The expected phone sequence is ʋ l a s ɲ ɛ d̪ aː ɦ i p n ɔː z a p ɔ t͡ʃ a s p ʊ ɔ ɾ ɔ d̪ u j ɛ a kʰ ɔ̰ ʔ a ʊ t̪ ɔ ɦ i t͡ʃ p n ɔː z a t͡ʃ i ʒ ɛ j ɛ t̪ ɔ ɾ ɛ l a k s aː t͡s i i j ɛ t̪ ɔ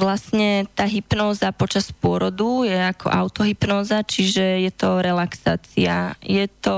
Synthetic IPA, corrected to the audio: ʋ l a s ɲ ɛ t̪ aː ɦ i p n ɔː z a p ɔ t͡ʃ a s p ʊ ɔ ɾ ɔ d̪ u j ɛ a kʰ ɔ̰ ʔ a ʊ t̪ ɔ ɦ i p n ɔː z a t͡ʃ i ʒ ɛ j ɛ t̪ ɔ ɾ ɛ l a k s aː t͡s i a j ɛ t̪ ɔ